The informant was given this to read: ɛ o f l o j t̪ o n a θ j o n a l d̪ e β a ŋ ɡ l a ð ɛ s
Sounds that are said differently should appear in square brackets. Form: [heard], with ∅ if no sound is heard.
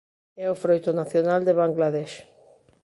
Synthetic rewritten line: ɛ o f [ɾ] o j t̪ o n a θ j o n a l d̪ e β a ŋ ɡ l a ð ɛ [ʃ]